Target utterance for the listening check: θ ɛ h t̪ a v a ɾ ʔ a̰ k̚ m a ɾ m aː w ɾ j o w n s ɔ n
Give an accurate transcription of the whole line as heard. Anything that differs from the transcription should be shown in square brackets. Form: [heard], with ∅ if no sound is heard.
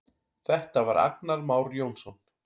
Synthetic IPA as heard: θ ɛ h t̪ a v a ɾ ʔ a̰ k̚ [n] a ɾ m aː w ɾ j o w n s ɔ n